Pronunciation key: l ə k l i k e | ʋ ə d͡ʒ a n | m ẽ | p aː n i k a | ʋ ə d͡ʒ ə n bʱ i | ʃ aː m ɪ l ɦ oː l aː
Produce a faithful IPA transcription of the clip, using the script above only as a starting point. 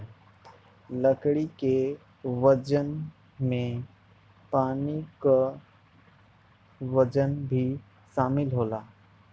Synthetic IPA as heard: l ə k ɽ i k e | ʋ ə d͡ʒ ə n | m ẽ | p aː n i k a | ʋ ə d͡ʒ ə n bʱ i | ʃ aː m ɪ l ɦ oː l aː